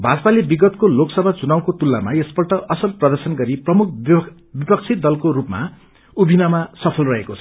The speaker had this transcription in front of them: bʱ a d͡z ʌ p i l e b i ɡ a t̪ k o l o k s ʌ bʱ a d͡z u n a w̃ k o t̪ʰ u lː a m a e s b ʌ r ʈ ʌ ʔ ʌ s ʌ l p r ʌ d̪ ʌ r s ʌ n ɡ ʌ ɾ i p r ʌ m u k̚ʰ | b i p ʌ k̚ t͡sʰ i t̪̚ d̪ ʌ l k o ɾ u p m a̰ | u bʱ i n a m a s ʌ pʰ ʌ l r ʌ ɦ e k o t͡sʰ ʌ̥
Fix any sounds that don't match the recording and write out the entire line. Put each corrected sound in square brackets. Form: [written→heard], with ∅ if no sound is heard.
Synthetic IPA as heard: bʱ a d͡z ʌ p [i→a] l e b i ɡ [a→ʌ] t̪ k o l o k s ʌ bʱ a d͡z u n a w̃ k o [t̪ʰ→t̪] u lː a m a e s b ʌ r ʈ ʌ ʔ ʌ s ʌ l p r ʌ d̪ ʌ r s ʌ n ɡ ʌ ɾ i p r ʌ m u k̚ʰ | b i p ʌ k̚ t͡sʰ i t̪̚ d̪ ʌ l k o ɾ u p m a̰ | u bʱ i n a m a s ʌ pʰ ʌ l r ʌ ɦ e k o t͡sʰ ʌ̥